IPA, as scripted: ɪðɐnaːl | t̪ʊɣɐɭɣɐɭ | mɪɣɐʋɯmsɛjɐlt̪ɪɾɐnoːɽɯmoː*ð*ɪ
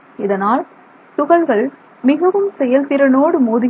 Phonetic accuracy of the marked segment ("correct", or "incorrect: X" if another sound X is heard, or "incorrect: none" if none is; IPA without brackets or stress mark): correct